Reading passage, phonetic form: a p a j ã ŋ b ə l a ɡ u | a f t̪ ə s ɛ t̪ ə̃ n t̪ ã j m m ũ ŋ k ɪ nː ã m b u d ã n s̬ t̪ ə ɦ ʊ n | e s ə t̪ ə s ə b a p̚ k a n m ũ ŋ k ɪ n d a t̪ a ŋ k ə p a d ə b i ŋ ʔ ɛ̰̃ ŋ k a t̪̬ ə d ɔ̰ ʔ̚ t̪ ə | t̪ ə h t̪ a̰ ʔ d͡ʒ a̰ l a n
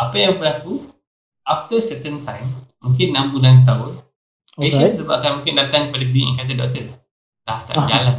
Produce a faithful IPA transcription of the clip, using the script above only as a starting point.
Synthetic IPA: a p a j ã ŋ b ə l a k u | a f t̪ ə s ɛ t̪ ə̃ n t̪ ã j m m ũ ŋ k ɪ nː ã m b u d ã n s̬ t̪ a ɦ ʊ n | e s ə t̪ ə s ə b a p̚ k a n m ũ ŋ k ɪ n d a t̪ a ŋ k ə p a d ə b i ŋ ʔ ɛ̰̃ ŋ k a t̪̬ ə d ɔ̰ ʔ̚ t̪ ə | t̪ a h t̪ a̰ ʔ d͡ʒ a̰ l a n